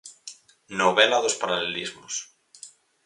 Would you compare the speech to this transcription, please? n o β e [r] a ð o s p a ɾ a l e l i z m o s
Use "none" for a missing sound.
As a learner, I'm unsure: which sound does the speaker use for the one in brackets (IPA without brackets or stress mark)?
l